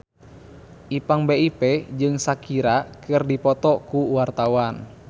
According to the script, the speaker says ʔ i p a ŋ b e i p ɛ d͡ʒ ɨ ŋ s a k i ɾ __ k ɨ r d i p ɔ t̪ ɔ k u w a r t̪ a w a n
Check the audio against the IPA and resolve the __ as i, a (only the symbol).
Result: a